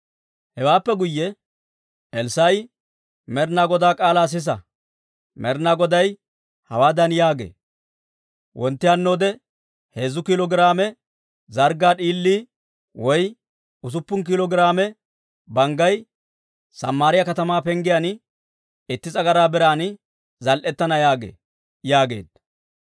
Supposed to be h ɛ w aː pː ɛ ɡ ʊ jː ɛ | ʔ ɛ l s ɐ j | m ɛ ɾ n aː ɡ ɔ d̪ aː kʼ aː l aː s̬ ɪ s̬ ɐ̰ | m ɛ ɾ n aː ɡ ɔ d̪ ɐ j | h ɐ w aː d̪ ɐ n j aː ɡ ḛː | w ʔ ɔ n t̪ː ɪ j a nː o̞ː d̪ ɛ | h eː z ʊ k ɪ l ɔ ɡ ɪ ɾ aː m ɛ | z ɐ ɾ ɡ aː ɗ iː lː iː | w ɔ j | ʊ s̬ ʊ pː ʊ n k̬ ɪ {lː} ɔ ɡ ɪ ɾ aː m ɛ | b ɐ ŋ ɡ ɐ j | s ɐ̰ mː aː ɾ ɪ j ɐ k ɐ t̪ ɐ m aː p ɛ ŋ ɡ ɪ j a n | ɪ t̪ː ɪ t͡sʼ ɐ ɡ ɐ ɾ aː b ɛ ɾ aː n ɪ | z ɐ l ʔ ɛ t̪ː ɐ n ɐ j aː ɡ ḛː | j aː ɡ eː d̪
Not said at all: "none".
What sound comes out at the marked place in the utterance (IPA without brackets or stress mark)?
l